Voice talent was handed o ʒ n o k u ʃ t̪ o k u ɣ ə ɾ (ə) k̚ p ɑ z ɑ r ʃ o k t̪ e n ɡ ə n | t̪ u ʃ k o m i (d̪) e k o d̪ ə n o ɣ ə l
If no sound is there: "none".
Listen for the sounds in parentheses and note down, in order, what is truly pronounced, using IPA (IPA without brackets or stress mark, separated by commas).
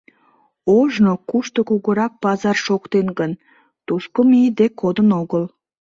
ɑ, d̪